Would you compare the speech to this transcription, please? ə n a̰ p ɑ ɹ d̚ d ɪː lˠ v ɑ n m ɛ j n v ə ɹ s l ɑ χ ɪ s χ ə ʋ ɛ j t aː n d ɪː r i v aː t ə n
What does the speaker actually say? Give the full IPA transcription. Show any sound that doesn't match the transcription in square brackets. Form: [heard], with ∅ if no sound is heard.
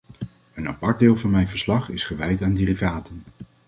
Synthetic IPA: ə n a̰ p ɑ ɹ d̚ d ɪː lˠ v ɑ n m ɛ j n v ə ɹ s l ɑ χ ɪ s χ ə ʋ ɛ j t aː n d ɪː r i v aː t ə n